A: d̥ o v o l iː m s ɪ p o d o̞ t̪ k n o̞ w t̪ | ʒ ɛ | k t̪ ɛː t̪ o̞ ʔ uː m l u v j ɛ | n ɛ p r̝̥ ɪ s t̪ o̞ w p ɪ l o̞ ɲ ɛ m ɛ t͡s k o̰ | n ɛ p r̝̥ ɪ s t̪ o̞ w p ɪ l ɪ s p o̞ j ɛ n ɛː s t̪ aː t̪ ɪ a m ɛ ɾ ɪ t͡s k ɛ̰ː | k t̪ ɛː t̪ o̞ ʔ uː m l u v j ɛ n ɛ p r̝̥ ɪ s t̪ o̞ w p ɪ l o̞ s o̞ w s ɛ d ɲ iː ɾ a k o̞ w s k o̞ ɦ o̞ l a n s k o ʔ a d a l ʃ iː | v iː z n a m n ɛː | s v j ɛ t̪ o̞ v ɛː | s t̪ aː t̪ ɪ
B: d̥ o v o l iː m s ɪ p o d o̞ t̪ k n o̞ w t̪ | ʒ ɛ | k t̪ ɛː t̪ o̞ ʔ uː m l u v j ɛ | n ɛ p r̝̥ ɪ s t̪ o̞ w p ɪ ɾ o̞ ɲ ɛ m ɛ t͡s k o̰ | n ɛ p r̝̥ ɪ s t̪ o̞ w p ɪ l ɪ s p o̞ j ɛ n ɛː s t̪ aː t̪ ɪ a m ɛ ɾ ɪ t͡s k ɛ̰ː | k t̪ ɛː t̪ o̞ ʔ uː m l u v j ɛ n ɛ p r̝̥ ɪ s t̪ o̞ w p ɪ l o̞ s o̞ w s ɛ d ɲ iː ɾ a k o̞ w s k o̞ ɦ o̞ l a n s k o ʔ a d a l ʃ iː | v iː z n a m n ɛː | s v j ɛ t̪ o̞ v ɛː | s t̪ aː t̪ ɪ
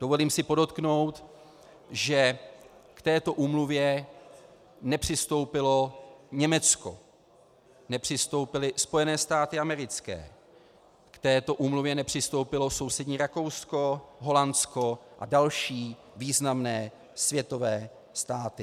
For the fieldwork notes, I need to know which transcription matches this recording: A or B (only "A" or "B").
A